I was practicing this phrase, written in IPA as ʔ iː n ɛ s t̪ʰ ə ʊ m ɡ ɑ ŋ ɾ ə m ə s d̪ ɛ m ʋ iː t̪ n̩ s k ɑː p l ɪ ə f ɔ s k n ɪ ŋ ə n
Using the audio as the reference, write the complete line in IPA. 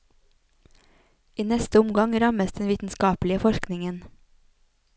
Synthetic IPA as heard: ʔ iː n ɛ s t̪ ə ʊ m ɡ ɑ ŋ ɾ ɑ m ə s d̪ ɛ n ʋ iː t̪ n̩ s k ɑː p l ɪ ə f ɔ ʃ k n ɪ ŋ ə n

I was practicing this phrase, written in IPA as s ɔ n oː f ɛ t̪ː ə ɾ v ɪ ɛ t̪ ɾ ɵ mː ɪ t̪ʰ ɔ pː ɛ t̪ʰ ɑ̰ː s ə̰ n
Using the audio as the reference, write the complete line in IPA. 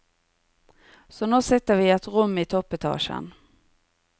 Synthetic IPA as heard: s ɔ n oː s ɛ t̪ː ə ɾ v ɪ ɛ t̪ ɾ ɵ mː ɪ t̪ʰ ɔ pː ɛ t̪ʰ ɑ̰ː ʂ ə̰ n

